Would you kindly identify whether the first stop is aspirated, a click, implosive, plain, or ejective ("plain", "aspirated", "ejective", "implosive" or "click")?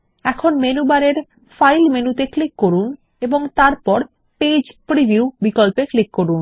aspirated